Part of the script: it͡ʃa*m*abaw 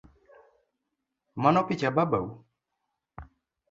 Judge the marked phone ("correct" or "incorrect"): incorrect